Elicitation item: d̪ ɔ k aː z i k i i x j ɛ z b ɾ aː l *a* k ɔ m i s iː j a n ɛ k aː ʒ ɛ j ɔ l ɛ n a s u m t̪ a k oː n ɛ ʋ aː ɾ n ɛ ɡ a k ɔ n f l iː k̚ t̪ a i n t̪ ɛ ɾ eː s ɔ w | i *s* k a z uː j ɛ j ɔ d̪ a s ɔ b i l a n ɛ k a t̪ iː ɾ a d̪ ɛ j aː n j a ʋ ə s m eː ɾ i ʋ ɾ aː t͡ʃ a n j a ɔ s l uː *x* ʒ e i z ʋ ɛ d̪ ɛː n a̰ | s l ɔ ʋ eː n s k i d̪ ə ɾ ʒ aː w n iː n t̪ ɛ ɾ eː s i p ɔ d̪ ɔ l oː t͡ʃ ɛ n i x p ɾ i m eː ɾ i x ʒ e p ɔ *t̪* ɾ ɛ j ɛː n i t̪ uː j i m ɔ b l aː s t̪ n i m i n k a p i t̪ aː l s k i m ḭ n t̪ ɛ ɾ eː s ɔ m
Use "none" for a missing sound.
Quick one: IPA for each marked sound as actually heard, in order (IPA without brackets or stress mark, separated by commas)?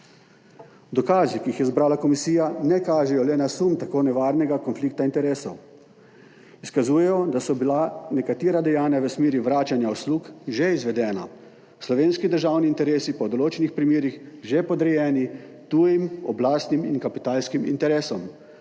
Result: a, s, k, d̪